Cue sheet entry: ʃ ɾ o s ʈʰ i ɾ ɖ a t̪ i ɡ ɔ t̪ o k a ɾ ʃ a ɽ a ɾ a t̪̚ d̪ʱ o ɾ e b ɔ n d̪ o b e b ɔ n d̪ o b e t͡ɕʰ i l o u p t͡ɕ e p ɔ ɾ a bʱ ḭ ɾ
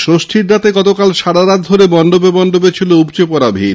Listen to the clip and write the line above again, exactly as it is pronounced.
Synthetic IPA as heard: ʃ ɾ o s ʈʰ i ɾ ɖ a t̪ e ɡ ɔ t̪ o k a l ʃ a ɽ a ɾ a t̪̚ d̪ʱ o ɾ e b ɔ n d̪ o b e b ɔ n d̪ o b e t͡ɕʰ i l o u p t͡ɕ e p ɔ ɾ a bʱ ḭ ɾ